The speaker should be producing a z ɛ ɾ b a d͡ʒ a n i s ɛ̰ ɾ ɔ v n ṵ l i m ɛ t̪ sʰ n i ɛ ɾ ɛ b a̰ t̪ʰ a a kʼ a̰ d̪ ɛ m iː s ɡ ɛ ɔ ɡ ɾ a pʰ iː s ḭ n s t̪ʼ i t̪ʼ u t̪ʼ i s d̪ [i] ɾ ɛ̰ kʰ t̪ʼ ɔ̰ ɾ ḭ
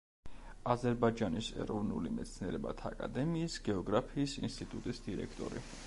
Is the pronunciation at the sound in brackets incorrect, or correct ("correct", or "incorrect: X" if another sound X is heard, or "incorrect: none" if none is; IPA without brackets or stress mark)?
correct